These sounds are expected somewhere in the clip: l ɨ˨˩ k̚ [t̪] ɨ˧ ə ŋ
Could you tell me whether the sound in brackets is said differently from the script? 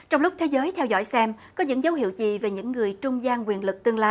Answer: no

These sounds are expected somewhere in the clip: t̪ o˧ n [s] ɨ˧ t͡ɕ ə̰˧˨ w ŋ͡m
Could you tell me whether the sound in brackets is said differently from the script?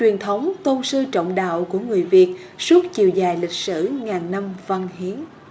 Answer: no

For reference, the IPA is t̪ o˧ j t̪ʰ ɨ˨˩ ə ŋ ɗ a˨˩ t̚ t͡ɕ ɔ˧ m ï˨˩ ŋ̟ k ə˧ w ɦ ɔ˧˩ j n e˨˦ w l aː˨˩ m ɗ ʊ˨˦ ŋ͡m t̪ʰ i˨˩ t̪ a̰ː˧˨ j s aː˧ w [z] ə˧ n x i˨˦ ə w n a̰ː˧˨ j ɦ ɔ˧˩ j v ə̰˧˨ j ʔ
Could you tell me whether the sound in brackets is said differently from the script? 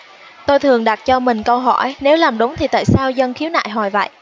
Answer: no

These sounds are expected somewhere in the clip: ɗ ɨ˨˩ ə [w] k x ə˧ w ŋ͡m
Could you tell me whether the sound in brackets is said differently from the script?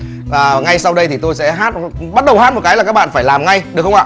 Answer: yes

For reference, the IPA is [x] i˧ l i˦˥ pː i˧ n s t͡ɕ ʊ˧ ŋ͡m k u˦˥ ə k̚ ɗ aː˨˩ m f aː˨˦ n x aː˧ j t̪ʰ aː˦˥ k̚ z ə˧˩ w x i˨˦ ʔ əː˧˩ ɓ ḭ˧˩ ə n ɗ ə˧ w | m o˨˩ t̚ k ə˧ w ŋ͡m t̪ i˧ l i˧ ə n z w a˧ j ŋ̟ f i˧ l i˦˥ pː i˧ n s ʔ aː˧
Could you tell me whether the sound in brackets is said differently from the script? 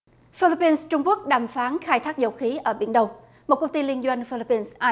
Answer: yes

